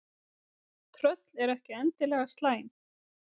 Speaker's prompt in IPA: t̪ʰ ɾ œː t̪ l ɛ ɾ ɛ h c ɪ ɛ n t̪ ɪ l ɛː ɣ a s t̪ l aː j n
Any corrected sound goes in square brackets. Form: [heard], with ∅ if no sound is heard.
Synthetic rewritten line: t̪ʰ ɾ [œ] t̪ l ɛ ɾ ɛ h c ɪ ɛ n t̪ ɪ l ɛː ɣ a s t̪ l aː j n